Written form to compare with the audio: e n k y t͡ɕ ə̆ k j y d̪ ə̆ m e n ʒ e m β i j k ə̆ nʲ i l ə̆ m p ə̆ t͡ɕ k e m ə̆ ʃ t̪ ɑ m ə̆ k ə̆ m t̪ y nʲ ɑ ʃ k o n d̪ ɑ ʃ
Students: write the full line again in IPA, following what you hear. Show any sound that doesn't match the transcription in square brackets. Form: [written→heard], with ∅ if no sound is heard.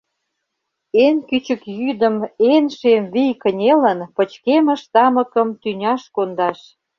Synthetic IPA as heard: e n k y t͡ɕ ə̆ k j y d̪ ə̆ m e n [ʒ→ʃ] e m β i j k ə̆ nʲ [i→e] l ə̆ [m→n] p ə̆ t͡ɕ k e m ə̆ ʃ t̪ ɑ m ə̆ k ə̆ m t̪ y nʲ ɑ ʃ k o n d̪ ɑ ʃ